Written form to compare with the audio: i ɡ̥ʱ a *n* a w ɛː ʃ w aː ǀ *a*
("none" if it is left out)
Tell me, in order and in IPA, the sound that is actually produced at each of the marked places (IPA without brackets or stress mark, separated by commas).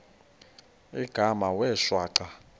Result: m, a